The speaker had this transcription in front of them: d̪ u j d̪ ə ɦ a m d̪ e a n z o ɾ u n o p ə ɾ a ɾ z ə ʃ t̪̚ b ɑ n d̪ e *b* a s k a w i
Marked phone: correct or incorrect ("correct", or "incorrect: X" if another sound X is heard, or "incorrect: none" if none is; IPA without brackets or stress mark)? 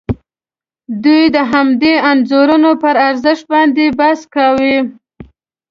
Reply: correct